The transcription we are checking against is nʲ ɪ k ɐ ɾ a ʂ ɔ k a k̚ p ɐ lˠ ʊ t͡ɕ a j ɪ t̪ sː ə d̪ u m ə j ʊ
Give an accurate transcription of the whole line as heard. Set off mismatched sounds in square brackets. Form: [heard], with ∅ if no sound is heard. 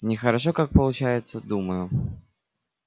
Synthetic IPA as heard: nʲ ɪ [x] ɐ ɾ a ʂ ɔ k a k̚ p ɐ lˠ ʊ t͡ɕ a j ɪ t̪ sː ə d̪ u m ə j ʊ